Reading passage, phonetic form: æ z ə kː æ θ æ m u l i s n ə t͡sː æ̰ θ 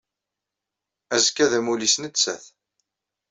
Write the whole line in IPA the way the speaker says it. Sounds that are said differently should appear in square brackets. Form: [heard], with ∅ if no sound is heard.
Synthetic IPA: æ z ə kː æ [ð] æ m u l i s n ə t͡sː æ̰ θ